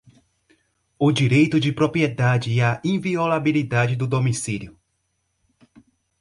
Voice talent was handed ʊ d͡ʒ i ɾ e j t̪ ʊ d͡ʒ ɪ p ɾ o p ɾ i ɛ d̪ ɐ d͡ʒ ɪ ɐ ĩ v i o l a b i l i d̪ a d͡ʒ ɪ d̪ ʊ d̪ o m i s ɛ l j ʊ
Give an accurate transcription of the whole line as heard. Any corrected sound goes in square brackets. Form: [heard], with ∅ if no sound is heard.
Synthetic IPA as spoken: ʊ d͡ʒ i ɾ e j t̪ ʊ d͡ʒ ɪ p ɾ o p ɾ i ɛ d̪ [a] d͡ʒ ɪ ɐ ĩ v i o l a b i l i d̪ a d͡ʒ ɪ d̪ ʊ d̪ o m i s [i] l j ʊ